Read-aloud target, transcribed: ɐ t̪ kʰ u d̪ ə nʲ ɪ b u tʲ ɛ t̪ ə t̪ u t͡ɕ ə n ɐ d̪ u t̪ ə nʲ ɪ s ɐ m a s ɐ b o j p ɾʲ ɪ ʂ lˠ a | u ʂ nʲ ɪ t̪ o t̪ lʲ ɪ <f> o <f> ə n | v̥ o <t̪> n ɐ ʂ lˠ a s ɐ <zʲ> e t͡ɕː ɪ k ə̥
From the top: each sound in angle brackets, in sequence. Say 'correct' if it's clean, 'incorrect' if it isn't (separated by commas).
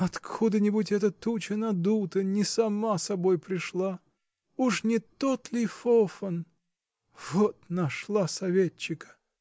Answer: correct, correct, correct, incorrect